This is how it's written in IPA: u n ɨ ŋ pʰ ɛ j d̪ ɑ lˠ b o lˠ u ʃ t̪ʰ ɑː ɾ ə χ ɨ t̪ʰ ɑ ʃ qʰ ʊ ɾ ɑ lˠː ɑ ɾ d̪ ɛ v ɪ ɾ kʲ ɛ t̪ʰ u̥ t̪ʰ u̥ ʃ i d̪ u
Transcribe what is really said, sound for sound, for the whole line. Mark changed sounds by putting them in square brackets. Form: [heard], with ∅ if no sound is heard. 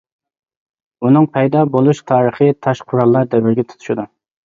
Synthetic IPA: u n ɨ ŋ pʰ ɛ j d̪ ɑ [∅] b o lˠ u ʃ t̪ʰ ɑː ɾ ə χ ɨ t̪ʰ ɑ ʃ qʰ ʊ ɾ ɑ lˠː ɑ ɾ d̪ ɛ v ɪ ɾ [ɡʲ] ɛ t̪ʰ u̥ t̪ʰ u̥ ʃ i d̪ u

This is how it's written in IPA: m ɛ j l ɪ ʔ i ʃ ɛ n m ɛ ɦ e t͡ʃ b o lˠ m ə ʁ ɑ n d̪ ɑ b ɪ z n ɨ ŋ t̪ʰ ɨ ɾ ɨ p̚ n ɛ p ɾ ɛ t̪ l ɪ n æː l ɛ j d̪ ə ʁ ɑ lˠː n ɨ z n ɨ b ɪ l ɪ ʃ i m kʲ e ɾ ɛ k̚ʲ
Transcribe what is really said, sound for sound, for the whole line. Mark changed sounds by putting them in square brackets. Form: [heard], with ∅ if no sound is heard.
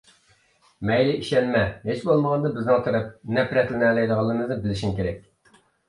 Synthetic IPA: m ɛ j l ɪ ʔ i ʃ ɛ n m ɛ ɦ e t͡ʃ b o lˠ m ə ʁ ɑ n d̪ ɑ b ɪ z n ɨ ŋ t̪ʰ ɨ ɾ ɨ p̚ n ɛ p ɾ ɛ t̪ l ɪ n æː l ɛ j d̪ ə ʁ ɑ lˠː [m] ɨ z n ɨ b ɪ l ɪ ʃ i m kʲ e ɾ ɛ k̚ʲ

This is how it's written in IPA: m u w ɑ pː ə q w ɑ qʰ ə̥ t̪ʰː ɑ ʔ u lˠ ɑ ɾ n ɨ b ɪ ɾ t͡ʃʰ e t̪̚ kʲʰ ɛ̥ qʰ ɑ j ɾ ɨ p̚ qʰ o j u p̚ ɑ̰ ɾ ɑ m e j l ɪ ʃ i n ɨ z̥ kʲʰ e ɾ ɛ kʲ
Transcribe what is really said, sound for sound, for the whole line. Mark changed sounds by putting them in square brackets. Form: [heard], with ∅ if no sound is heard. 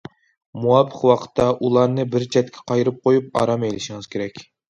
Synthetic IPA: m u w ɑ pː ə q w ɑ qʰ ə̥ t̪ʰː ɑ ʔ u lˠ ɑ ɾ n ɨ b ɪ ɾ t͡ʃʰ [ɛ] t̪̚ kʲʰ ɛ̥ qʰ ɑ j ɾ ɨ p̚ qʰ o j u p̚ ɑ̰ ɾ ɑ m e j l ɪ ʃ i [ŋ] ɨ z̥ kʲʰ e ɾ ɛ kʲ

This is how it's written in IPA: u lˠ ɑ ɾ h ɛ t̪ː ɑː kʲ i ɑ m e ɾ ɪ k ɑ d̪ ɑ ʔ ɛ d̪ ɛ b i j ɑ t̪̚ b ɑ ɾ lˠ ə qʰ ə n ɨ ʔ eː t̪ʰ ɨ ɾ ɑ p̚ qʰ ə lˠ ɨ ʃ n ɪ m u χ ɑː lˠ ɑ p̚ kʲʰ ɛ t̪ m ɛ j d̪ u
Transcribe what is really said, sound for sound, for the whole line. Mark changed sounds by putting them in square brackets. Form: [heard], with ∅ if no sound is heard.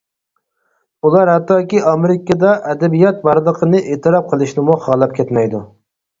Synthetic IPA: u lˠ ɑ ɾ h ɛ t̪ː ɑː kʲ i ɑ m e ɾ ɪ k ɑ d̪ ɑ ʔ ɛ d̪ ɛ b i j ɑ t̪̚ b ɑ ɾ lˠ ə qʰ ə n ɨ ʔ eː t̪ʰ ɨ ɾ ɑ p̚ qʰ ə lˠ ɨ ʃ n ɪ m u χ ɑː lˠ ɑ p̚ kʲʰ ɛ t̪ m ɛ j d̪ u

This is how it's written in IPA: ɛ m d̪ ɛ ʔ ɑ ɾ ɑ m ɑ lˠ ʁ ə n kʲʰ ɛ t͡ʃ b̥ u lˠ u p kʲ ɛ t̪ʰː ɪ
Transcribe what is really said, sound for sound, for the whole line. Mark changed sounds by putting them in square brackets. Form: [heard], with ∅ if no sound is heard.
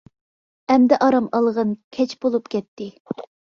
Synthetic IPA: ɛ m d̪ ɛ ʔ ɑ ɾ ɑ m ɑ lˠ ʁ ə n kʲʰ ɛ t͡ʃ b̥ [o] lˠ u p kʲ ɛ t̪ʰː ɪ

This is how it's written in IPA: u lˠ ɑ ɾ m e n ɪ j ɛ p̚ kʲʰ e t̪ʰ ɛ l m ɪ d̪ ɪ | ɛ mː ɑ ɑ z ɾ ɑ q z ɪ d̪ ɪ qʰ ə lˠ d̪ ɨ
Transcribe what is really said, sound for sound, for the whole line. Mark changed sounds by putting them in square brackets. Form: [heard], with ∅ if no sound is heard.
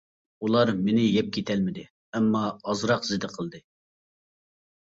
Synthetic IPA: u lˠ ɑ ɾ m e n ɪ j ɛ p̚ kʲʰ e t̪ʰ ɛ l m ɪ d̪ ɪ | ɛ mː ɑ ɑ z ɾ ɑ q z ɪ d̪ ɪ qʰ ə lˠ d̪ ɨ

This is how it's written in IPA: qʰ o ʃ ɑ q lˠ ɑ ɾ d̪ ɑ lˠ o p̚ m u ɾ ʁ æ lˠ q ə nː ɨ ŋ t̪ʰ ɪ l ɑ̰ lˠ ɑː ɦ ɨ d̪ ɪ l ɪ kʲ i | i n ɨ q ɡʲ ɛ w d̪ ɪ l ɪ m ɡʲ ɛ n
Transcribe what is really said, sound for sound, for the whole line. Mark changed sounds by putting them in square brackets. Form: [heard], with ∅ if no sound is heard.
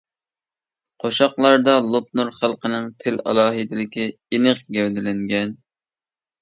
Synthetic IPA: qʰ o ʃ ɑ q lˠ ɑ ɾ d̪ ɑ lˠ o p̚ [n] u ɾ [χ] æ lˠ q ə [n] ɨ ŋ t̪ʰ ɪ l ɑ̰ lˠ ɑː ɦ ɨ d̪ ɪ l ɪ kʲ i | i n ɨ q ɡʲ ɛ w d̪ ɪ l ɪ [ŋ] ɡʲ ɛ n

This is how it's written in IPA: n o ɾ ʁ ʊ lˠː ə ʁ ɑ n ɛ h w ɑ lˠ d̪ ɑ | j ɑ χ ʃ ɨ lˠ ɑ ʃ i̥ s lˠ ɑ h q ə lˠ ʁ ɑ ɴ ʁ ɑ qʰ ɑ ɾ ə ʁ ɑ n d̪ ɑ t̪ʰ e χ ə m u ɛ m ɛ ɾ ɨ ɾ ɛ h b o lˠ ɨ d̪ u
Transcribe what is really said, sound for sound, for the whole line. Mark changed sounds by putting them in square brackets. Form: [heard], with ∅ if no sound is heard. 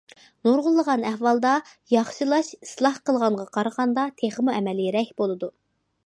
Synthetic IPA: n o ɾ ʁ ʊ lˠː ə ʁ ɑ n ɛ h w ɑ lˠ d̪ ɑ | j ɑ χ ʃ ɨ lˠ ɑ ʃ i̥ s lˠ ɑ h q ə lˠ ʁ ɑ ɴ ʁ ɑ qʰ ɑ ɾ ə ʁ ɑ n d̪ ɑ t̪ʰ e χ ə m u ɛ m ɛ [l] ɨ ɾ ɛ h b o lˠ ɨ d̪ u

